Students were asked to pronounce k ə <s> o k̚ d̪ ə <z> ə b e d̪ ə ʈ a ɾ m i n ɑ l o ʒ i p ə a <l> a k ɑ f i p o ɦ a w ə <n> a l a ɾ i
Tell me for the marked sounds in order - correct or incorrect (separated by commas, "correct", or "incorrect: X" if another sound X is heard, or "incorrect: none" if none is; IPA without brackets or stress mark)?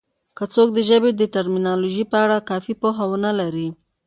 incorrect: t͡s, incorrect: ʒ, incorrect: ɽ, correct